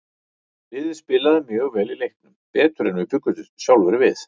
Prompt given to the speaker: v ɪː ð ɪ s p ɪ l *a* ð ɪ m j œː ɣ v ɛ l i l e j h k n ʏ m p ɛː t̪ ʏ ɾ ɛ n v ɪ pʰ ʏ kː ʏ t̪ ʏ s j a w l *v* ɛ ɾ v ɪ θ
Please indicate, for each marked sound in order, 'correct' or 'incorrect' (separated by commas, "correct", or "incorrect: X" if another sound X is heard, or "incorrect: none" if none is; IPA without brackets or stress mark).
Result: correct, correct